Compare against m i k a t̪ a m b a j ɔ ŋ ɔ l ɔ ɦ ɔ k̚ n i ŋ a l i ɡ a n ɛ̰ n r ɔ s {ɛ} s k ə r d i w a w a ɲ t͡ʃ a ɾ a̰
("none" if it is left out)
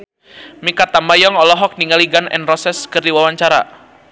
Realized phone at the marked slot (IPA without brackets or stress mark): ɛ